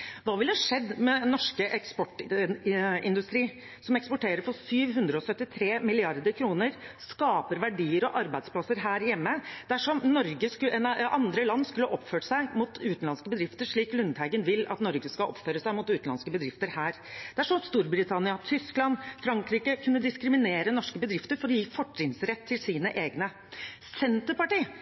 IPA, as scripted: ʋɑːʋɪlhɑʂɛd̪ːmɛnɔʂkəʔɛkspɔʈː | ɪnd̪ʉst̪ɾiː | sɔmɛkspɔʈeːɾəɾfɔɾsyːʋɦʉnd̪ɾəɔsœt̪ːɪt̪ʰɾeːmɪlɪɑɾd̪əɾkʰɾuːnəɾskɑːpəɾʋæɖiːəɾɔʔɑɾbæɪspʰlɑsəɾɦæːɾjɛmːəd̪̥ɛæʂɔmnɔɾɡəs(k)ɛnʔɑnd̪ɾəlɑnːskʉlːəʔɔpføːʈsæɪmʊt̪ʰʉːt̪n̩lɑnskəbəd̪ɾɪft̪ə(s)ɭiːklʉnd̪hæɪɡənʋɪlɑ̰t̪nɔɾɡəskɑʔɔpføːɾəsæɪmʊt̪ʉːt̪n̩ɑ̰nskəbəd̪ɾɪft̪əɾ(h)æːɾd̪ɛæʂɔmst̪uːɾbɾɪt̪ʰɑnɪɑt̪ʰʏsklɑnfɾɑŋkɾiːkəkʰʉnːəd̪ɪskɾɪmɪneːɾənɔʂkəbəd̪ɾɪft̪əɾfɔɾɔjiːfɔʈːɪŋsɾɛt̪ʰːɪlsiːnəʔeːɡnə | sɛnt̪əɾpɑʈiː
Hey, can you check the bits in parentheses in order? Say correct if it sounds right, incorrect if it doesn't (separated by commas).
correct, incorrect, correct